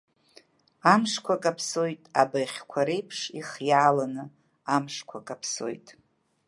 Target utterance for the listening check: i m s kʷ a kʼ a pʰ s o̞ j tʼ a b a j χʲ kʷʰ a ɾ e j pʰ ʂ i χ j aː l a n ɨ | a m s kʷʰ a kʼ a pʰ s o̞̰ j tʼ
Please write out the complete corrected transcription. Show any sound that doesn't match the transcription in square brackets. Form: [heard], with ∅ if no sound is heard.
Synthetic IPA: [a] m [ʂ] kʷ a kʼ a pʰ s o̞ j tʼ a b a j χʲ kʷʰ a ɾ e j pʰ ʂ i χ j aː l a n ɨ | a m [ʂ] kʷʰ a kʼ a pʰ s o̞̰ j tʼ